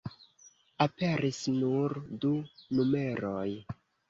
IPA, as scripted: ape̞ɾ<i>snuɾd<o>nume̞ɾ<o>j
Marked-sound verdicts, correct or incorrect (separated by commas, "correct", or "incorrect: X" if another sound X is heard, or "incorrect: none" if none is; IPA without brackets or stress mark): correct, incorrect: u, correct